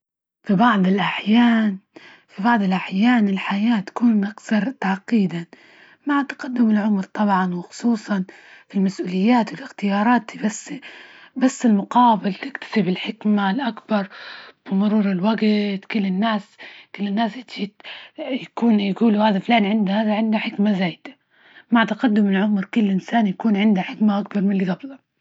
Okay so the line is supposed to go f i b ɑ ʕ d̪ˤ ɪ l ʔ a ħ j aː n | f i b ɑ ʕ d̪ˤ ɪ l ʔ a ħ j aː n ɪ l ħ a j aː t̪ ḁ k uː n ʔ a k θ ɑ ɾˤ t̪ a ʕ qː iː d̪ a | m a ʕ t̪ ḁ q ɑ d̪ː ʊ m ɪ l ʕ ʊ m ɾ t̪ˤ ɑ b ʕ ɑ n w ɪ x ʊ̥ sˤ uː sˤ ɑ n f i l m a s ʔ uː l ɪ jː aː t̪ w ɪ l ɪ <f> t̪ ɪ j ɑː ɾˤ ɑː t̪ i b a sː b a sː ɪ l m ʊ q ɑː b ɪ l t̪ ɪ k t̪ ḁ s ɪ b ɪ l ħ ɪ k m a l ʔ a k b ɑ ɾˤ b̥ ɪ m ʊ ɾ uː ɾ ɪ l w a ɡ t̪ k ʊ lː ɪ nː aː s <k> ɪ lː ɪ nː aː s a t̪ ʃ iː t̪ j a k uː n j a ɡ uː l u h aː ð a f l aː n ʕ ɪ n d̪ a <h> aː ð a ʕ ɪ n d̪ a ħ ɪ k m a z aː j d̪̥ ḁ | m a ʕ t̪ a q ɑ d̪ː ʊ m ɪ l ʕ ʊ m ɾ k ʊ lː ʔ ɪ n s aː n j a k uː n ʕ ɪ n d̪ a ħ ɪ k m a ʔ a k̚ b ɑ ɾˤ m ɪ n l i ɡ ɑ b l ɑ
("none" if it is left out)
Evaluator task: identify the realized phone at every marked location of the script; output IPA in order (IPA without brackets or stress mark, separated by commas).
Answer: x, k, h